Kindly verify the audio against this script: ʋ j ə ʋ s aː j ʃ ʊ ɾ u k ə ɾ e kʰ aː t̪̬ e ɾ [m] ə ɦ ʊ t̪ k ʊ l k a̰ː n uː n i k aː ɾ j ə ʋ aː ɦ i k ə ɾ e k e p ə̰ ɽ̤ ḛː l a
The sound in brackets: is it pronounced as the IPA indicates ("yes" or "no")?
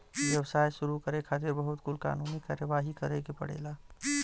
no